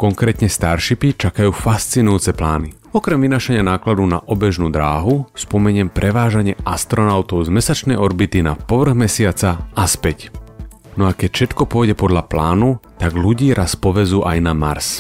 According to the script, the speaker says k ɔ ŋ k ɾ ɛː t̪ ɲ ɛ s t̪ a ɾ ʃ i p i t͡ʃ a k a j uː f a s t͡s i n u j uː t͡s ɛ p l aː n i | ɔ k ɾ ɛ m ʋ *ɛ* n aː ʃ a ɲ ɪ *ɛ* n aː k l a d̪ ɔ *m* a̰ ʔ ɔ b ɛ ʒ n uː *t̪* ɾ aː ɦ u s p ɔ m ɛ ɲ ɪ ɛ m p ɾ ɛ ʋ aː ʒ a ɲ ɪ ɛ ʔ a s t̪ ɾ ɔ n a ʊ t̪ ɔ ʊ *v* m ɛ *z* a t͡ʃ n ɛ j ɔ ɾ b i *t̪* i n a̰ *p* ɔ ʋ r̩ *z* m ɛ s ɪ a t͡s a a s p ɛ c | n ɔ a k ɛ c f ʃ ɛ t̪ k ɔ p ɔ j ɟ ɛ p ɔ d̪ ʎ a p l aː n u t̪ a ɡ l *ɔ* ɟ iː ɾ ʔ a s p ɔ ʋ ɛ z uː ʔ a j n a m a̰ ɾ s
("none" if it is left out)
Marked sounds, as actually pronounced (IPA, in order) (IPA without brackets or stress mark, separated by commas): i, a, n, d̪, z, s, t̪, p, ɣ, u